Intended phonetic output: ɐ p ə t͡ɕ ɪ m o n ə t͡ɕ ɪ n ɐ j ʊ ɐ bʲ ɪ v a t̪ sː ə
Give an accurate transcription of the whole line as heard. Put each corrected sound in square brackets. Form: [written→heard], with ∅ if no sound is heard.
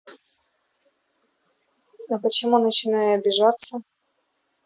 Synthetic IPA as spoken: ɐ p ə t͡ɕ ɪ m [o→u] n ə t͡ɕ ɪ n [ɐ→a] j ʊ ɐ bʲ ɪ [v→ʐ] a t̪ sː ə